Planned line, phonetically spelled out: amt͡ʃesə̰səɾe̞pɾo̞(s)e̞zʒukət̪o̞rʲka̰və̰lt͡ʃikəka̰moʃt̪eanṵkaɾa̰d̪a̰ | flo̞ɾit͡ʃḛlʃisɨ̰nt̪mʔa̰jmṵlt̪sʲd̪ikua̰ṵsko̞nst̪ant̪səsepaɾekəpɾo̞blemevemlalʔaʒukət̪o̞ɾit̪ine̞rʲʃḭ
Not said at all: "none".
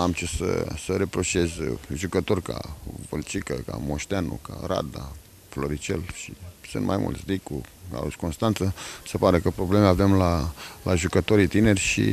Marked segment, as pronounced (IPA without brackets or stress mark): ʃ